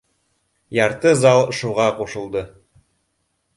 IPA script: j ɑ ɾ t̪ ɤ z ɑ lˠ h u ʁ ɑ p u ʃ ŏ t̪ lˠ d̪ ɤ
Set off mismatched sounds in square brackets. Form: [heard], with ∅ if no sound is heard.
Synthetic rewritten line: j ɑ ɾ t̪ ɤ z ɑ lˠ [ʃ] u ʁ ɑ [q] u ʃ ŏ [∅] lˠ d̪ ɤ